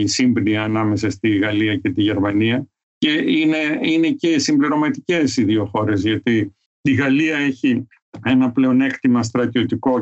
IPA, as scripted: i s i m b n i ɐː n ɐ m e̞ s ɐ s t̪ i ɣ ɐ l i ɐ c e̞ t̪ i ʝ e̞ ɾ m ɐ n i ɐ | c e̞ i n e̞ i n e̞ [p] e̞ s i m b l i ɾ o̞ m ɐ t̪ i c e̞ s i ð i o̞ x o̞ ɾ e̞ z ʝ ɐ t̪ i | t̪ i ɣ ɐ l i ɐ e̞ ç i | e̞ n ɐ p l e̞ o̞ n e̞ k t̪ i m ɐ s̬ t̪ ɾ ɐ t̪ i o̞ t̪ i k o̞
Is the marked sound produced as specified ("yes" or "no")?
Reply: no